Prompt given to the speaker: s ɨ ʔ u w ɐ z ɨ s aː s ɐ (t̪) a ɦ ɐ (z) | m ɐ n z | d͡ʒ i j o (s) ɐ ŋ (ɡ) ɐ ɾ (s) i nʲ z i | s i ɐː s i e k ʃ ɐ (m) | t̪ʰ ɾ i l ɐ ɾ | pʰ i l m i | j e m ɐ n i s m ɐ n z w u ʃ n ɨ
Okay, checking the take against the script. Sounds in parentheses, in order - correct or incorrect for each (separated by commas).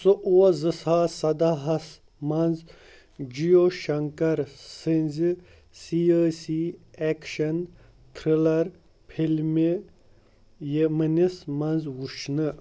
incorrect, incorrect, incorrect, incorrect, correct, incorrect